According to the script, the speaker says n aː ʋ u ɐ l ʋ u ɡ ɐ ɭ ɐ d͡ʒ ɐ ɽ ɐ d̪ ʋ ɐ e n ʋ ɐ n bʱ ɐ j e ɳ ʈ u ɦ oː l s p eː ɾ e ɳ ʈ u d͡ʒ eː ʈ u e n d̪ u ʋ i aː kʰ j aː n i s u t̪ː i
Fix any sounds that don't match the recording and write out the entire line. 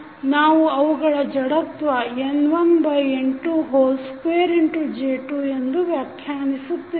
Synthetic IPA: n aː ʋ u ɐ ʋ u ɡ ɐ ɭ ɐ d͡ʒ ɐ ɽ ɐ t̪ ʋ ɐ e n ʋ ɐ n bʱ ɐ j e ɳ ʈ u ɦ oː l s p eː ɾ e ɳ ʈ u d͡ʒ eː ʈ u e n d̪ u ʋ j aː kʰ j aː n i s u t̪ː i

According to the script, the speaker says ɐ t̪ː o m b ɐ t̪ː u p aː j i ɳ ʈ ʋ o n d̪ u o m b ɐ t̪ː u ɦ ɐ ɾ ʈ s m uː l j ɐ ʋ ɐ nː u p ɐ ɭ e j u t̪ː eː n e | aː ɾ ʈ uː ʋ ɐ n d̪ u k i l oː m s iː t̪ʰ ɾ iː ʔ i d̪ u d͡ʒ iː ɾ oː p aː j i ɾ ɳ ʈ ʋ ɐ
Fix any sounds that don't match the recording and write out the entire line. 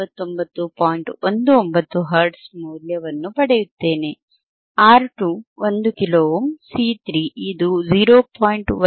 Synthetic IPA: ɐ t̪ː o m b ɐ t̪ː u p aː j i ɳ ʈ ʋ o n d̪ u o m b ɐ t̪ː u ɦ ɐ ɾ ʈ s m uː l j ɐ ʋ ɐ nː u p ɐ ɽ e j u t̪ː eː n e | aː ɾ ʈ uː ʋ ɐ n d̪ u k i l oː m s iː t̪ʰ ɾ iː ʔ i d̪ u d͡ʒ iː ɾ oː p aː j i ɳ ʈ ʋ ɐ

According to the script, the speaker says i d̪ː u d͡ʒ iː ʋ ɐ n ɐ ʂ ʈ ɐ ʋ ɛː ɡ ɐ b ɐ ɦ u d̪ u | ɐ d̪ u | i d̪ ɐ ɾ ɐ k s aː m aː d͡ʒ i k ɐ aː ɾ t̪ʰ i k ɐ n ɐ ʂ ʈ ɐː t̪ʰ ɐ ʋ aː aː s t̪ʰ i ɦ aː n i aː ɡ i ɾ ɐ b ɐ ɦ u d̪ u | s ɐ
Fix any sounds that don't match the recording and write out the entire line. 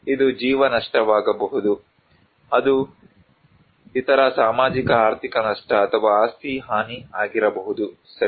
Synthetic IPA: i d̪ u d͡ʒ iː ʋ ɐ n ɐ ʂ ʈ ɐ ʋ aː ɡ ɐ b ɐ ɦ u d̪ u | ɐ d̪ u | i t̪ ɐ ɾ ɐ s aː m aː d͡ʒ i k ɐ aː ɾ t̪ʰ i k ɐ n ɐ ʂ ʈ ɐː t̪ʰ ɐ ʋ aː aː s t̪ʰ i ɦ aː n i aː ɡ i ɾ ɐ b ɐ ɦ u d̪ u | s ɐ

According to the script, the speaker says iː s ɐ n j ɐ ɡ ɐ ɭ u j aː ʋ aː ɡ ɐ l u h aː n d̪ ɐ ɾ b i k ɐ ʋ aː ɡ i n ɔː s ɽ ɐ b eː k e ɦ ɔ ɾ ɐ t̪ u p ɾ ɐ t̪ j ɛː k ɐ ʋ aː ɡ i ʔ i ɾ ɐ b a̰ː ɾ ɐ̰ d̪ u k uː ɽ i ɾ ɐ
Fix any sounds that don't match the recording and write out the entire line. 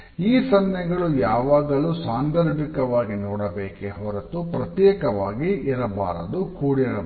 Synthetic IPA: iː s ɐ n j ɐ ɡ ɐ ɭ u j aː ʋ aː ɡ ɐ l u s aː n d̪ ɐ ɾ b i k ɐ ʋ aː ɡ i n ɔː ɽ ɐ b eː k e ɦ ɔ ɾ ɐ t̪ u p ɾ ɐ t̪ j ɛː k ɐ ʋ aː ɡ i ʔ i ɾ ɐ b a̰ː ɾ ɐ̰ d̪ u k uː ɽ i ɾ ɐ

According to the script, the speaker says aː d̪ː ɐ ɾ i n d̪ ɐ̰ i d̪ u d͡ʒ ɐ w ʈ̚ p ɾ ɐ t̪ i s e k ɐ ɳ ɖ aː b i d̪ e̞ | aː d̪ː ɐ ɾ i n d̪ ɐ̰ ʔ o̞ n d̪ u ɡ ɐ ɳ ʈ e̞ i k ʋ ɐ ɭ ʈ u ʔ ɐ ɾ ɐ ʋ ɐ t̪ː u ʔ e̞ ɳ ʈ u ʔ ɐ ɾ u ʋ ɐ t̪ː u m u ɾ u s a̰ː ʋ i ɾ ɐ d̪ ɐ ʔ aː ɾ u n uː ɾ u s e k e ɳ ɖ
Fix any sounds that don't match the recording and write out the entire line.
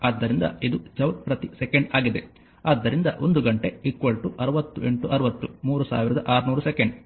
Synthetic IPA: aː d̪ː ɐ ɾ i n d̪ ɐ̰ i d̪ u d͡ʒ ɐ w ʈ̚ p ɾ ɐ t̪ i s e k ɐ ɳ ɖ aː ɡ i d̪ e̞ | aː d̪ː ɐ ɾ i n d̪ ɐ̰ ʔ o̞ n d̪ u ɡ ɐ ɳ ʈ e̞ i k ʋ ɐ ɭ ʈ u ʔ ɐ ɾ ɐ ʋ ɐ t̪ː u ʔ e̞ ɳ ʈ u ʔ ɐ ɾ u ʋ ɐ t̪ː u m uː ɾ u s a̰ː ʋ i ɾ ɐ d̪ ɐ ʔ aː ɾ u n uː ɾ u s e k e ɳ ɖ

